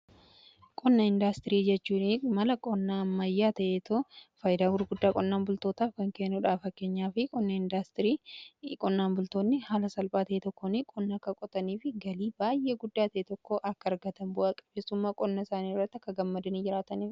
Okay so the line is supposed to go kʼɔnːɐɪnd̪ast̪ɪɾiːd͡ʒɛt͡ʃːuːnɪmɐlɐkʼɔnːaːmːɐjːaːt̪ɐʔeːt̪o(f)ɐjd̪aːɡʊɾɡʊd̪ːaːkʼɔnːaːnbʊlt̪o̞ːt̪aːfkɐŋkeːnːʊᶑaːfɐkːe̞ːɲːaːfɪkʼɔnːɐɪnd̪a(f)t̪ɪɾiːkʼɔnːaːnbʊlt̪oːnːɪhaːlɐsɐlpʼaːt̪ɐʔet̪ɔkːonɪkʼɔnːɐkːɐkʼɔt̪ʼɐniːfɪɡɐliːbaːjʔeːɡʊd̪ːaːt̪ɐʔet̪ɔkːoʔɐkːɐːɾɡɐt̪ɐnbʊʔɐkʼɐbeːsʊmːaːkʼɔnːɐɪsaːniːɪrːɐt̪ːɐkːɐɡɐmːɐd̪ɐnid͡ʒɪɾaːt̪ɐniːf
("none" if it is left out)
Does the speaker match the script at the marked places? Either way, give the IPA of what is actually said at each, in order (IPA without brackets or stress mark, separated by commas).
f, s